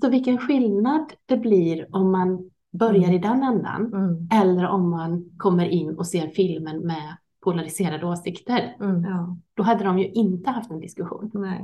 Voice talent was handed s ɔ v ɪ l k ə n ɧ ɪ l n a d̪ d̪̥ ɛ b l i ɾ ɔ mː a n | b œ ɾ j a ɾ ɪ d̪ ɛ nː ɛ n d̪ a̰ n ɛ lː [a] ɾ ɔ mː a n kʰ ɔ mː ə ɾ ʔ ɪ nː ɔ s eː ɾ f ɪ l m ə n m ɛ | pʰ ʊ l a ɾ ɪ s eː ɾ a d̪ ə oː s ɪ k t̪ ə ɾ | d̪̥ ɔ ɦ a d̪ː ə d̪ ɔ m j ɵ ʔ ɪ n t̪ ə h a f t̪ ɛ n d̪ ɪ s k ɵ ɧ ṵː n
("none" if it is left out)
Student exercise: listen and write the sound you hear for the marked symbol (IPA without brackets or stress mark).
ə